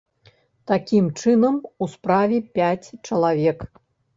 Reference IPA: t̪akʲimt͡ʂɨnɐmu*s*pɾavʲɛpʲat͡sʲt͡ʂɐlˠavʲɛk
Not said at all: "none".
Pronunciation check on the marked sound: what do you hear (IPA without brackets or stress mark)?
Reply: s